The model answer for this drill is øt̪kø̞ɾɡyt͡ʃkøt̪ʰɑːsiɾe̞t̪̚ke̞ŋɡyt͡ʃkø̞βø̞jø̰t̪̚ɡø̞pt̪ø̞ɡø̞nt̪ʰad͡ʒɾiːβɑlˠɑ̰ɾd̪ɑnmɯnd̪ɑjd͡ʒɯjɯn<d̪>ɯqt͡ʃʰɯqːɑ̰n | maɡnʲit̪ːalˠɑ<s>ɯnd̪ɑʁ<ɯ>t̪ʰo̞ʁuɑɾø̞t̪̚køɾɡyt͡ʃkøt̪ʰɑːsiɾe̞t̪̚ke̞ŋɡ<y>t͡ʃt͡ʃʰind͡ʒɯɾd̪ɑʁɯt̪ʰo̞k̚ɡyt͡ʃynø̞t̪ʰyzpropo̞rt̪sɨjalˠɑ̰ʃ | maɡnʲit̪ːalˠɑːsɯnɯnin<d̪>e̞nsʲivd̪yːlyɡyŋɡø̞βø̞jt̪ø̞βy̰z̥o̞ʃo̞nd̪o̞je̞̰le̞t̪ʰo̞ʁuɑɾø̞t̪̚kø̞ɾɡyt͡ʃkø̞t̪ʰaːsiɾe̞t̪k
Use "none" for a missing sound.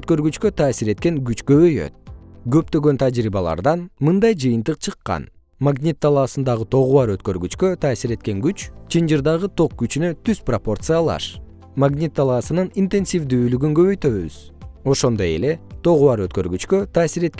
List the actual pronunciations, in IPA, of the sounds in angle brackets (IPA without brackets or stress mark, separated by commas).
t̪, s, ɯ, y, t̪